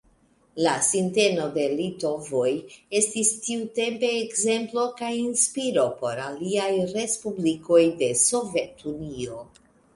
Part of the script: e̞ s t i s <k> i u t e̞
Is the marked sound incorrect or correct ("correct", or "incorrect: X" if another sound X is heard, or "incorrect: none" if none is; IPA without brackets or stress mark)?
incorrect: t